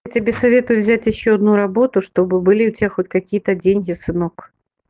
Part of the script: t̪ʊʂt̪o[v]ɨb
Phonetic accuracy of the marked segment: incorrect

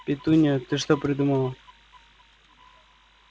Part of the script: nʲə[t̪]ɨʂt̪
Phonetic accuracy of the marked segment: correct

